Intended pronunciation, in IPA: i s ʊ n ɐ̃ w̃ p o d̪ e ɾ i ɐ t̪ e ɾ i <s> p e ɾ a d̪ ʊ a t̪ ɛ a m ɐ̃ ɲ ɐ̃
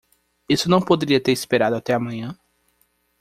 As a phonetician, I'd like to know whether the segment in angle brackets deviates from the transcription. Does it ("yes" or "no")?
no